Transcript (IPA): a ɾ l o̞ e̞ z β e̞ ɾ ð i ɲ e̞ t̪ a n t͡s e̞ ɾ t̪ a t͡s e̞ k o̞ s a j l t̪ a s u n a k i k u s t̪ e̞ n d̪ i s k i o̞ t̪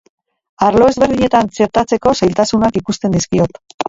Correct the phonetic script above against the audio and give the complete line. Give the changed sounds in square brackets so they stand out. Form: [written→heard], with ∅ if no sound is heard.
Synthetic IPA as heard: a ɾ l o̞ e̞ z β e̞ ɾ ð i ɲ e̞ t̪ a n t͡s e̞ ɾ t̪ a t͡s e̞ k o̞ s a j l t̪ a s u n a k i k u s t̪ e̞ n d̪ i s k i o̞ t̪

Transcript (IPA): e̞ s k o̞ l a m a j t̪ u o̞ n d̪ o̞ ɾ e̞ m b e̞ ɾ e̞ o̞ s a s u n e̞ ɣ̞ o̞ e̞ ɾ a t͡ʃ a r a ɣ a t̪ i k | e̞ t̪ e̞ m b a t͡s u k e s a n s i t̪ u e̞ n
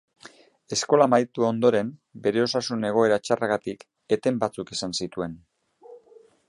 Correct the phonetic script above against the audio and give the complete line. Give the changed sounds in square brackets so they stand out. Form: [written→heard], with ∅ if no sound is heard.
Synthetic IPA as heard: e̞ s k o̞ l a m a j t̪ u o̞ n d̪ o̞ ɾ e̞ m b e̞ ɾ e̞ o̞ s a s u n e̞ ɣ̞ o̞ e̞ ɾ a t͡ʃ a r a ɣ a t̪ i k | e̞ t̪ e̞ m b a t͡s u k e s a n s i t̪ u e̞ n

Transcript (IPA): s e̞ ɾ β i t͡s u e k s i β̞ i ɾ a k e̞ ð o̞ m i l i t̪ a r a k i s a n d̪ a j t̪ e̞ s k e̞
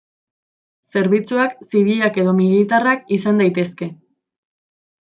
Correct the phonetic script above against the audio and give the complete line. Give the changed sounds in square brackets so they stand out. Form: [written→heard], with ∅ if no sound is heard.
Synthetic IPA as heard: s e̞ ɾ β i t͡s u [e→a] k s i β̞ i [ɾ→ʎ] a k e̞ ð o̞ m i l i t̪ a r a k i s a n d̪ a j t̪ e̞ s k e̞

